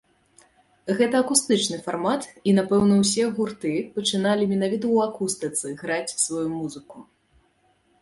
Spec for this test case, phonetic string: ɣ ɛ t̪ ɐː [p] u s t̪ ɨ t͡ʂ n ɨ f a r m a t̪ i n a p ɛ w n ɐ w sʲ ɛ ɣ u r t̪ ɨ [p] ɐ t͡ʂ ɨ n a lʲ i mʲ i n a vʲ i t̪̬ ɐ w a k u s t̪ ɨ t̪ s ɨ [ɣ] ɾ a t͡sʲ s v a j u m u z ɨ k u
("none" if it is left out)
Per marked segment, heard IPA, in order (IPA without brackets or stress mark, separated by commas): k, p, ɣ